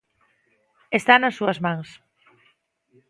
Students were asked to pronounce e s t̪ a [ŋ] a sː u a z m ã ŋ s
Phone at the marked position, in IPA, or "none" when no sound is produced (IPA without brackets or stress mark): n